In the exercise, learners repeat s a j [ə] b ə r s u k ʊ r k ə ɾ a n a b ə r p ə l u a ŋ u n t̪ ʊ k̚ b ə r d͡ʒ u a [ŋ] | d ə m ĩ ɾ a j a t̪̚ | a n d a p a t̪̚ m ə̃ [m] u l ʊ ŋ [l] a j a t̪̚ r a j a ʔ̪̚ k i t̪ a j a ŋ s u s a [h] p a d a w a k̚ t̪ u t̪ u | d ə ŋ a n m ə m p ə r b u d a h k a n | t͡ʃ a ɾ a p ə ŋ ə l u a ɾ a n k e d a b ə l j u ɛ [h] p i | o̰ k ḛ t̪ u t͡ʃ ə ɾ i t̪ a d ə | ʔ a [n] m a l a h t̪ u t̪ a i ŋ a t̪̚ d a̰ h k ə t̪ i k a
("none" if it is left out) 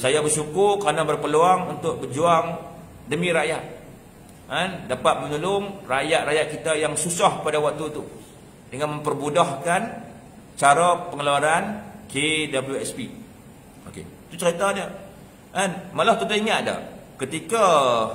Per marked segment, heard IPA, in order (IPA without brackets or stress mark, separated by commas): a, ŋ, ɲ, r, h, s, n